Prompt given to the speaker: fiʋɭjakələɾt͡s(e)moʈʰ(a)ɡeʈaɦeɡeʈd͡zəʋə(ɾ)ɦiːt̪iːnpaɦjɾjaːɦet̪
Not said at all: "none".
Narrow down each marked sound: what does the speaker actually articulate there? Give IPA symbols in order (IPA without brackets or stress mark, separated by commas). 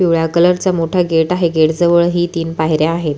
a, a, ɭ